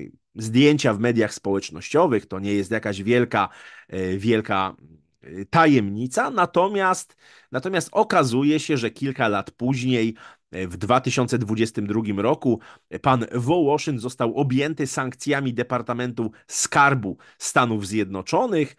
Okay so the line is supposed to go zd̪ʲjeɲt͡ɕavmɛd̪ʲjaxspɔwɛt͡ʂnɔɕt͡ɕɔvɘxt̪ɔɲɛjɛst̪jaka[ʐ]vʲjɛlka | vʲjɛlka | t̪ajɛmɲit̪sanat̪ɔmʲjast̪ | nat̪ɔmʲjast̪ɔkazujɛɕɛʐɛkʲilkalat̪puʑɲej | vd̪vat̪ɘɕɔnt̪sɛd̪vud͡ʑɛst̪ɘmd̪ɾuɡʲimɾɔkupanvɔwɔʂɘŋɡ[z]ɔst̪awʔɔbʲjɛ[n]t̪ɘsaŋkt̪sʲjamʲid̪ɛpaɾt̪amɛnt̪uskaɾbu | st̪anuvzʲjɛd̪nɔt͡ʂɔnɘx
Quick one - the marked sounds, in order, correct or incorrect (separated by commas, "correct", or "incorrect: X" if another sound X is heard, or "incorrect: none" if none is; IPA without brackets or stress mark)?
incorrect: ʑ, correct, correct